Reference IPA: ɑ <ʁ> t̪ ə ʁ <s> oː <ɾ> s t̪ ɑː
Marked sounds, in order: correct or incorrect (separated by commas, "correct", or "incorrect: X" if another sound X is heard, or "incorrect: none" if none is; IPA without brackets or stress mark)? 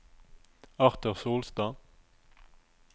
correct, correct, incorrect: l